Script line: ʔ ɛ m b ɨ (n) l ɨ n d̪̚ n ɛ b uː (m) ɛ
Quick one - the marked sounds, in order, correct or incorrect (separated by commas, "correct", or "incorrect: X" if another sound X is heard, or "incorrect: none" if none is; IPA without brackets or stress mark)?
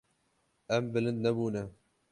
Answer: incorrect: none, incorrect: n